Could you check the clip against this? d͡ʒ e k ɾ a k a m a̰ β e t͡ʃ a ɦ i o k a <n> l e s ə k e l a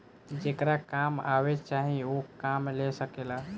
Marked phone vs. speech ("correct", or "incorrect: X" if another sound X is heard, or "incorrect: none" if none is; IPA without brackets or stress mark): incorrect: m